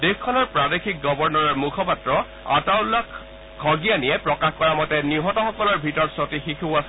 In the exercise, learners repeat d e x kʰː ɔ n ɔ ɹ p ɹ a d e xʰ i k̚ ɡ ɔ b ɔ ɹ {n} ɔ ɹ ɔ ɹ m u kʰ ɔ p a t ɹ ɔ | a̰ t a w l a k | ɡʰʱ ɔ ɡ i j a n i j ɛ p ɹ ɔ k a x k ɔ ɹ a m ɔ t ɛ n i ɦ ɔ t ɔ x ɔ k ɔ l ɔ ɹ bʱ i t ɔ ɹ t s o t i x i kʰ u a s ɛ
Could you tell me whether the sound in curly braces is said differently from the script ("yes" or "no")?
no